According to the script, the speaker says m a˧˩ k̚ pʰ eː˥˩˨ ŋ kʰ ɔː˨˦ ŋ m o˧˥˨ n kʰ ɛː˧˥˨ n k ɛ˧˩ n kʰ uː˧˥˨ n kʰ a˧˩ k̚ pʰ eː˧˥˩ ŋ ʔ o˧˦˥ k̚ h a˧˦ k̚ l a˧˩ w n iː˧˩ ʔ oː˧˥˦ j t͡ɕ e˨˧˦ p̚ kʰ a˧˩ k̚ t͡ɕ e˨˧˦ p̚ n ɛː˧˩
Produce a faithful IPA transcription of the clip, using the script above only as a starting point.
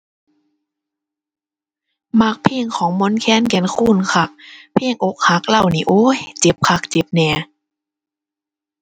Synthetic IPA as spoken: m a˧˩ k̚ pʰ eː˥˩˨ ŋ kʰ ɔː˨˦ ŋ m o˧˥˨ n kʰ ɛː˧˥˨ n k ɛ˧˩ n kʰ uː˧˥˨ n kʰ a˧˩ k̚ pʰ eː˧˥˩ ŋ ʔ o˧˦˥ k̚ h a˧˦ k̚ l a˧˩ w n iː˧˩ ʔ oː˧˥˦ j t͡ɕ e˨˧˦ p̚ kʰ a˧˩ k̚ t͡ɕ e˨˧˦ p̚ n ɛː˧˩